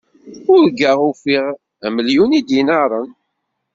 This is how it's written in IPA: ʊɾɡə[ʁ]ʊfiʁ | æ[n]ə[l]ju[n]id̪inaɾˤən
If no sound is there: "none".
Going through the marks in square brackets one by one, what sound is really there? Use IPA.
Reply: ʁ, m, l, n

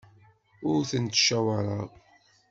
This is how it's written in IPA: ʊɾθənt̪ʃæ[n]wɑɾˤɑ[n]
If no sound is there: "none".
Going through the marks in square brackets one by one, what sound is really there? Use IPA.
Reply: none, none

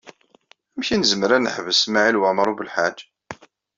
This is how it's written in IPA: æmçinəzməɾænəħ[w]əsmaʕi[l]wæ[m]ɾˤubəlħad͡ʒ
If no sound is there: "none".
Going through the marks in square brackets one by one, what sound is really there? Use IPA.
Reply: v, l, m

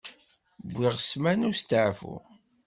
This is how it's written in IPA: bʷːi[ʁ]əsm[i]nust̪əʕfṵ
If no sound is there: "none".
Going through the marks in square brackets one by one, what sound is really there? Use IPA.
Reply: ʁ, æ

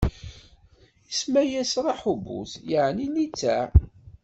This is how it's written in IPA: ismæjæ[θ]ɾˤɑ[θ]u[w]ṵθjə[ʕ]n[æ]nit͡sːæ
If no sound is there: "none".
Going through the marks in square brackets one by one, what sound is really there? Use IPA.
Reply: s, ħ, b, ʕ, i

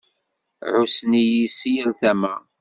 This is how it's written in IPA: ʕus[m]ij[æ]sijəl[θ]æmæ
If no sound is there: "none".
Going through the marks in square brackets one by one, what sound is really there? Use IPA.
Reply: n, i, θ

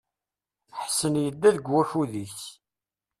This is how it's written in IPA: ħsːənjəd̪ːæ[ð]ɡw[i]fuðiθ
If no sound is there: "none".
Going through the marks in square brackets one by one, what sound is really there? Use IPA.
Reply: ð, æ

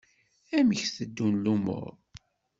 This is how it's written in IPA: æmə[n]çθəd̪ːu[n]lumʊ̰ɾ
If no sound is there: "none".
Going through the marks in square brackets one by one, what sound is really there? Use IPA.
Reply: none, n

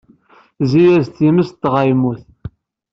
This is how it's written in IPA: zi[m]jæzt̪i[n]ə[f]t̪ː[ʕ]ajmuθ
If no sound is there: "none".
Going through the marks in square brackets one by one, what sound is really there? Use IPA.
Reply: none, m, s, ʁ

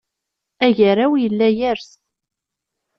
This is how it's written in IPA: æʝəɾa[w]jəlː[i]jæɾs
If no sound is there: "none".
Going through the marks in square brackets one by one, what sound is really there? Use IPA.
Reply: w, æ

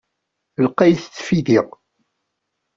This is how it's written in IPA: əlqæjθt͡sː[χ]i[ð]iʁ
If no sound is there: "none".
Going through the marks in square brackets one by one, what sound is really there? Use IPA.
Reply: f, ð

